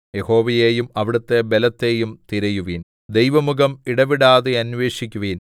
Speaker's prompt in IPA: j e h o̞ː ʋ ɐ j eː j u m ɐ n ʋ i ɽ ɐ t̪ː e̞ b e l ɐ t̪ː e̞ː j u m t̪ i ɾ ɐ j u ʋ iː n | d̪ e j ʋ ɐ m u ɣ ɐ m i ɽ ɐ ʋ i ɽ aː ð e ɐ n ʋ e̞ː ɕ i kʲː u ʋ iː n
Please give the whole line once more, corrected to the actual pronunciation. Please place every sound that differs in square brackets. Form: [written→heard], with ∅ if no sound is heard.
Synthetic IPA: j e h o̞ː ʋ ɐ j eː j u m ɐ [n→∅] ʋ i ɽ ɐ t̪ː e̞ b e l ɐ t̪ː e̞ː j u m t̪ i ɾ ɐ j u ʋ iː n | d̪ e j ʋ ɐ m u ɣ ɐ m i ɽ ɐ ʋ i ɽ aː ð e ɐ n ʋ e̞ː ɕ i kʲː u ʋ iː n

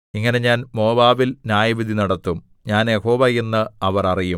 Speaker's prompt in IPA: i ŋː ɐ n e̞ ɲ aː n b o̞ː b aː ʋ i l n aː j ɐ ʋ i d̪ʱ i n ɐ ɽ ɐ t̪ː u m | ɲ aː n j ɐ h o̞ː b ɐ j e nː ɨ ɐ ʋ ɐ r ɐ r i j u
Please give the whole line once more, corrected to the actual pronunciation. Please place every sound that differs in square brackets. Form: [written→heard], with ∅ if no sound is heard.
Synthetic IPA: i ŋː ɐ n e̞ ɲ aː n [b→m] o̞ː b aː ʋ i l n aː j ɐ ʋ i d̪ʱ i n ɐ ɽ ɐ t̪ː u m | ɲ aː n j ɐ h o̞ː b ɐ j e nː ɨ ɐ ʋ ɐ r ɐ r i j u

